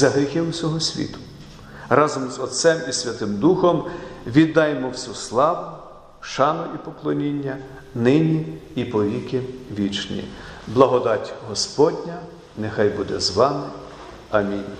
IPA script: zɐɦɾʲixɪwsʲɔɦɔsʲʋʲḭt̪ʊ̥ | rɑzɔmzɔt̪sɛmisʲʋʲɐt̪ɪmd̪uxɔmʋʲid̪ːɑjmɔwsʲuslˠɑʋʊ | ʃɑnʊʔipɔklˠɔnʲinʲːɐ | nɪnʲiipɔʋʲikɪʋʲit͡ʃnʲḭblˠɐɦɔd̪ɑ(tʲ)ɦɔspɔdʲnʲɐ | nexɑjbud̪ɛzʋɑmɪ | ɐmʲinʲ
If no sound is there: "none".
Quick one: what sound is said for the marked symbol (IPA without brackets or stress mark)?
tʲ